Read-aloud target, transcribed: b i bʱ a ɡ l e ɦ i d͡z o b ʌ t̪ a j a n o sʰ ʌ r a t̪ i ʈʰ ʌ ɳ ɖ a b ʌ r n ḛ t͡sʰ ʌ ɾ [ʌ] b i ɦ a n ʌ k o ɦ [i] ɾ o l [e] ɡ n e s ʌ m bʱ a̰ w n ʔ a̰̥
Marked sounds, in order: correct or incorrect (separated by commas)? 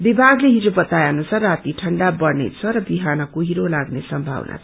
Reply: correct, correct, incorrect